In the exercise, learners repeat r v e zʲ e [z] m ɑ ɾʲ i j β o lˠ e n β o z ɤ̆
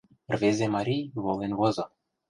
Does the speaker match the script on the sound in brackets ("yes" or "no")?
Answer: no